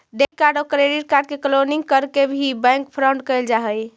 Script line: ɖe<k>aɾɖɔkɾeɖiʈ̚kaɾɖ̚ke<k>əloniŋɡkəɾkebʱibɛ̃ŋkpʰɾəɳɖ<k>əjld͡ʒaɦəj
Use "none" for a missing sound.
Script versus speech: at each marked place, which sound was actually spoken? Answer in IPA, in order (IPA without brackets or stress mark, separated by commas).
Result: k, k, k